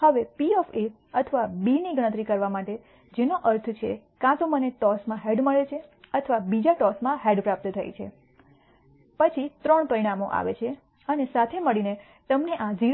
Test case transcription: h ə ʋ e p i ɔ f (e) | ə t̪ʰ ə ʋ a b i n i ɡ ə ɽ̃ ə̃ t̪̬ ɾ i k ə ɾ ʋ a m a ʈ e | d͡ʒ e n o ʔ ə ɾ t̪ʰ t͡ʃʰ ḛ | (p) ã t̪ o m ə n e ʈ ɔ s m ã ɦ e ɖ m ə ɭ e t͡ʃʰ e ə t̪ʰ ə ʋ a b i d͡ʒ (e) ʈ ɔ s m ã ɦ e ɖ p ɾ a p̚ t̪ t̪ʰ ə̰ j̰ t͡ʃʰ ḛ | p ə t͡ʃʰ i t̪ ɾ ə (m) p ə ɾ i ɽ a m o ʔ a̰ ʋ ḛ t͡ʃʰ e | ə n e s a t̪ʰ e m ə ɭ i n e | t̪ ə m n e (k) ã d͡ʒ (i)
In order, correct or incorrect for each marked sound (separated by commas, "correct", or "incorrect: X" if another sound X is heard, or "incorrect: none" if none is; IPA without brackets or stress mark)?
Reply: correct, incorrect: k, incorrect: a, incorrect: ɳ, incorrect: ʔ, correct